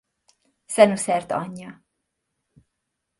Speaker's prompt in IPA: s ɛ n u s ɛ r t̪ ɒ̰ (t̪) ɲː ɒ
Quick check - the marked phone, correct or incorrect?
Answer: incorrect